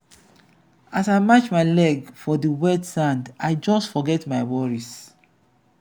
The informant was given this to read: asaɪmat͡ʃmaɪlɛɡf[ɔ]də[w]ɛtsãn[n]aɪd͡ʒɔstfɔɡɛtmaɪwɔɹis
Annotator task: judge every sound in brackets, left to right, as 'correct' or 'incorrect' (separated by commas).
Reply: correct, correct, incorrect